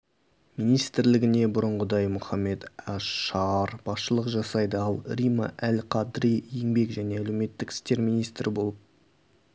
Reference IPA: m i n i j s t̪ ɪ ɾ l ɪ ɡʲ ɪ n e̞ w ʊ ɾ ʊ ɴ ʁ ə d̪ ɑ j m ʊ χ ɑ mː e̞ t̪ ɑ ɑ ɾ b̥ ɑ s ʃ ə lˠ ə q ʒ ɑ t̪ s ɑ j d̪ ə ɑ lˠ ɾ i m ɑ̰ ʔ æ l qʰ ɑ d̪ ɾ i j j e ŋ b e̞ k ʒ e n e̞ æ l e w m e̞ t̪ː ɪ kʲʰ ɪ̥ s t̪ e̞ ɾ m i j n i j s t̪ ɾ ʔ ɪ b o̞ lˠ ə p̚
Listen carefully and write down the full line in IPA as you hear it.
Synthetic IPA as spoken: m i n i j s t̪ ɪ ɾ l ɪ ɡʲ ɪ n e̞ b ʊ ɾ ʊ ɴ ʁ ə d̪ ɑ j m ʊ χ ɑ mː e̞ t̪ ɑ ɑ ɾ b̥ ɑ s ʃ ə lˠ ə q ʒ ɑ s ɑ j d̪ ə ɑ lˠ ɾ i m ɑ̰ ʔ æ l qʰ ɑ d̪ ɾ i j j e ŋ b e̞ k ʒ æ n e̞ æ l e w m e̞ t̪ː ɪ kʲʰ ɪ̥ s t̪ e̞ ɾ m i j n i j s t̪ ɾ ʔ ɪ b o̞ lˠ ə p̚